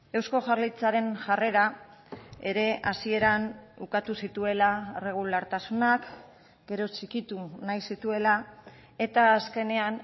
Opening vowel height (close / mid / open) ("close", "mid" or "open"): mid